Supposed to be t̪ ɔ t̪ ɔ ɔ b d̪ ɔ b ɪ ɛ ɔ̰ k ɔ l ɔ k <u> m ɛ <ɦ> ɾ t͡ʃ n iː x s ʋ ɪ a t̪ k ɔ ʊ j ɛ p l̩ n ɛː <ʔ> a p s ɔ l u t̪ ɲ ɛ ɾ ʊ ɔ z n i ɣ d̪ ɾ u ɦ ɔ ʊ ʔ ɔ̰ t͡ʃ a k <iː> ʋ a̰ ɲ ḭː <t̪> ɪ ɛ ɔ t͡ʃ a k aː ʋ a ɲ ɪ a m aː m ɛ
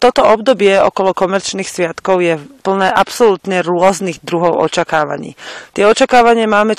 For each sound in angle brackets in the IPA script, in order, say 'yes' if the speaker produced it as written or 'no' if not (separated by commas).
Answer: no, no, yes, no, yes